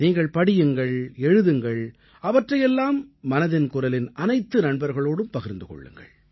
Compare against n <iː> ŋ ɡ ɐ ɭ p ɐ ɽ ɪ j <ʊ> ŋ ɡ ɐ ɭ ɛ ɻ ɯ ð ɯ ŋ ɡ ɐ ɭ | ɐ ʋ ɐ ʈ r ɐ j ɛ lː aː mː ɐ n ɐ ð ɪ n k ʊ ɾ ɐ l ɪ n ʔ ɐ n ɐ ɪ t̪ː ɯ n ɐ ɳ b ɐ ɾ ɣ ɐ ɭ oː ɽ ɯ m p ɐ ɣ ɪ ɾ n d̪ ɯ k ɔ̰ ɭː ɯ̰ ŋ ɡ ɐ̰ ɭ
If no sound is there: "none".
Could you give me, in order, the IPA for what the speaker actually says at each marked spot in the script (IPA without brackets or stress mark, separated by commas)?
iː, ɯ